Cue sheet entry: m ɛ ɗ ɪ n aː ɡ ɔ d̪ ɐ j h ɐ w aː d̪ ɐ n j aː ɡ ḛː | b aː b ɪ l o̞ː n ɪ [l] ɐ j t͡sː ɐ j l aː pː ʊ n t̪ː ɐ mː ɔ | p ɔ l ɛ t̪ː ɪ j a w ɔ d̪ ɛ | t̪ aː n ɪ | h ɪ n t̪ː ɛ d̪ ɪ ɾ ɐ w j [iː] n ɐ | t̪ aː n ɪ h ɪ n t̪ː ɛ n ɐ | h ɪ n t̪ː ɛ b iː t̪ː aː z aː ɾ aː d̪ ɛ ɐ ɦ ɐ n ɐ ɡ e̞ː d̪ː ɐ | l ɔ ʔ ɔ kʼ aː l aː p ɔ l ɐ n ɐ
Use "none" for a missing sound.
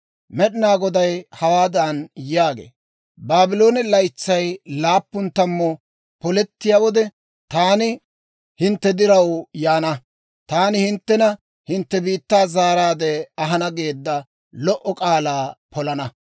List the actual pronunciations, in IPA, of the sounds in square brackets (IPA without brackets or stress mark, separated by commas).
l, aː